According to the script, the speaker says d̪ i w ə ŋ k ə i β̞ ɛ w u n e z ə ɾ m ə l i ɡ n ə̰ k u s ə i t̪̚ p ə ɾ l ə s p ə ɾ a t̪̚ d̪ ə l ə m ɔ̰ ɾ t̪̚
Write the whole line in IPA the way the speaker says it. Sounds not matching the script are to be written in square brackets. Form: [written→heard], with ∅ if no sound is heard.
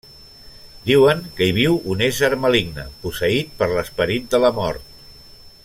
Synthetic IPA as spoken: d̪ i w ə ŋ k ə i β̞ [ɛ→i] w u n e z ə ɾ m ə l i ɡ n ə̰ [k→p] u s ə i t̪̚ p ə ɾ l ə s p ə ɾ [a→i] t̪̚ d̪ ə l ə m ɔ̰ ɾ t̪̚